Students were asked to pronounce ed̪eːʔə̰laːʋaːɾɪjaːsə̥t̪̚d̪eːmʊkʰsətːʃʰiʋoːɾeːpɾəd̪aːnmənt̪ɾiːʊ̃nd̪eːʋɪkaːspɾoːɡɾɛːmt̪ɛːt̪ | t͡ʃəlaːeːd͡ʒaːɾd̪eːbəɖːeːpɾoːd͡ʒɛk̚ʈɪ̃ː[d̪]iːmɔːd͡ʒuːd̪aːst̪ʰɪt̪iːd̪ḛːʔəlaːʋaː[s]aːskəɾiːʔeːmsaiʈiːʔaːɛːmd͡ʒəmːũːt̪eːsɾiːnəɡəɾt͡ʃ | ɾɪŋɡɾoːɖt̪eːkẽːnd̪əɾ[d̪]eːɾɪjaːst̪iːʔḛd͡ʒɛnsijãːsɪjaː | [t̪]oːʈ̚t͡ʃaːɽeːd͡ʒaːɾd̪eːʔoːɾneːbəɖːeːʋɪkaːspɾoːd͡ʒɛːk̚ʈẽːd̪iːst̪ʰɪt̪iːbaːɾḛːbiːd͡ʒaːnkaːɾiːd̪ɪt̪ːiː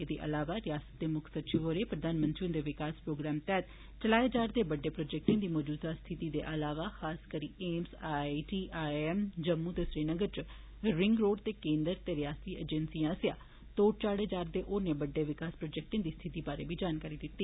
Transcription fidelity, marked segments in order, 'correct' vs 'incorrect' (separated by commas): correct, incorrect, incorrect, correct